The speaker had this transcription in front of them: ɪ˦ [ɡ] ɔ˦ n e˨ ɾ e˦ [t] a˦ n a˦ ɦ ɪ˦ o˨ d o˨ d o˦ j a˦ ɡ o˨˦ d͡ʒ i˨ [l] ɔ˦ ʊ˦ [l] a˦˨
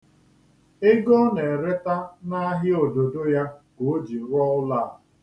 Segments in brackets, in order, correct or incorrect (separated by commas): correct, correct, incorrect, correct